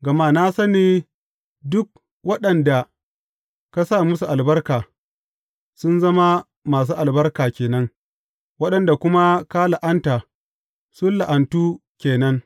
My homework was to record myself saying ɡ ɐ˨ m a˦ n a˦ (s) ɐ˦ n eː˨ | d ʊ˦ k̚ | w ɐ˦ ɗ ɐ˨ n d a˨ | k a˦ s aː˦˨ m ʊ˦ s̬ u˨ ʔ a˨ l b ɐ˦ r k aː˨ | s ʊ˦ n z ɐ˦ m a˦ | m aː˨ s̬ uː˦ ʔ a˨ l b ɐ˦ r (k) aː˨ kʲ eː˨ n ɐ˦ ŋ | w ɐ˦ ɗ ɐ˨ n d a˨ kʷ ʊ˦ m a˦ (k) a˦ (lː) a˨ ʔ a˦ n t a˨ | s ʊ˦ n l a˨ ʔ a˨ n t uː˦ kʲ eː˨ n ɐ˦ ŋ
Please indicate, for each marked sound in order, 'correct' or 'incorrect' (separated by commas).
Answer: correct, correct, correct, incorrect